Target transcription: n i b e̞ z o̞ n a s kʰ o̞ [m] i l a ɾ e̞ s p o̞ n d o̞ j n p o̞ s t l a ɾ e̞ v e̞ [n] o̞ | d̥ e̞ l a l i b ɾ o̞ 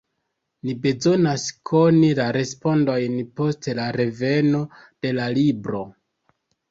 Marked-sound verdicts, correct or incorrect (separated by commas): incorrect, correct